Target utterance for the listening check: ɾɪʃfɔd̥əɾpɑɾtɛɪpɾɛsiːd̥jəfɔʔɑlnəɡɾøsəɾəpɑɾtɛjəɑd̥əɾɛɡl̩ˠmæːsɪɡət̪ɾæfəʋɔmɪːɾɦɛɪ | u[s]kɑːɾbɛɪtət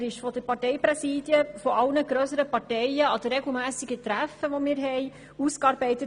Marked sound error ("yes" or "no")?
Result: no